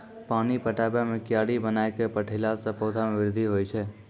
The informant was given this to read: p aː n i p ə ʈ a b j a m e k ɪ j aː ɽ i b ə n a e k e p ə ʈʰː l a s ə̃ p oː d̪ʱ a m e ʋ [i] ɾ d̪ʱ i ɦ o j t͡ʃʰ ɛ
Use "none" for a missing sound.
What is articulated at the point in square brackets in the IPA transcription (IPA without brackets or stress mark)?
ɪ